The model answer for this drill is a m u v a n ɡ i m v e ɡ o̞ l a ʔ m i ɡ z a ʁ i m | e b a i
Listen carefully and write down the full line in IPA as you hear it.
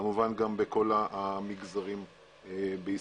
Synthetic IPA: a m u v a n ɡ a m b e k o̞ l a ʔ m i ɡ z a ʁ i m | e b e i